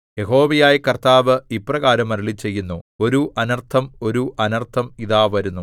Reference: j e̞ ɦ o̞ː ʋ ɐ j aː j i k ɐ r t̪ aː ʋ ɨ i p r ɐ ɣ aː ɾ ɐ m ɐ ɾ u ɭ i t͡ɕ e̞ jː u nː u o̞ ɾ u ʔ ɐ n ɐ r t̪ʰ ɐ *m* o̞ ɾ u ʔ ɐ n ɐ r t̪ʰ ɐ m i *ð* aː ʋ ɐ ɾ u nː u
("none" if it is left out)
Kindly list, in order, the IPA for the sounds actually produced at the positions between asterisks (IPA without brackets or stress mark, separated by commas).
m, ð